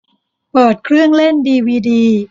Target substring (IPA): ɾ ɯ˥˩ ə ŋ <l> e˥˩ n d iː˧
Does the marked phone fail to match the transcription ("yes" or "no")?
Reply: no